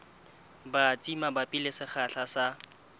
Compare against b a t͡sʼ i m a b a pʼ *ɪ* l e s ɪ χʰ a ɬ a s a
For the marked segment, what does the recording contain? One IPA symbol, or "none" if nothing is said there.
i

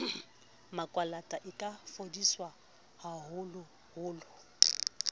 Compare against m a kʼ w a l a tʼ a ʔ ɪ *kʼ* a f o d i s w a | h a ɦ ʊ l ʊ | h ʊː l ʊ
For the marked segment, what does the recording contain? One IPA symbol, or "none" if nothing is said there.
kʼ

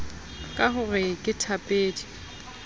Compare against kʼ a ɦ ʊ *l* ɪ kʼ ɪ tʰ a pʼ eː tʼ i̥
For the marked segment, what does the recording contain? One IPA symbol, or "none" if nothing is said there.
r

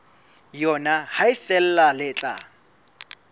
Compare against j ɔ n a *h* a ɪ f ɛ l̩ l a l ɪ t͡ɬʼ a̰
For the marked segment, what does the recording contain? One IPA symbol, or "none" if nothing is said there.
h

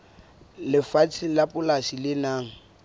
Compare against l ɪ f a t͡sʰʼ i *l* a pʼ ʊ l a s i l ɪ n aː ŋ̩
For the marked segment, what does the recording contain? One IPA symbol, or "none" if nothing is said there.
l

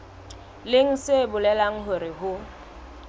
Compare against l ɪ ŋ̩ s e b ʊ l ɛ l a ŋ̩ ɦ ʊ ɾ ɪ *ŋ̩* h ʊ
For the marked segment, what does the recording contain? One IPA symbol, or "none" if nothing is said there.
none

